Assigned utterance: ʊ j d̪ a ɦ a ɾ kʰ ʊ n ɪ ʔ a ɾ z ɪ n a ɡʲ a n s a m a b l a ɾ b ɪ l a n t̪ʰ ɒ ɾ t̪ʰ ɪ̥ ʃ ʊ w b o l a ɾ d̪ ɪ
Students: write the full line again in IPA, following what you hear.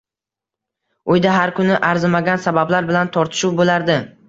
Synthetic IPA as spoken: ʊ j d̪ a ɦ a ɾ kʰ ʊ n ɪ ʔ a ɾ z ɪ m a ɡʲ a n s a b a b l a ɾ b ɪ l a n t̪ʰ ɒ ɾ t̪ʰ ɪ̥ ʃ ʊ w b o l a ɾ d̪ ɪ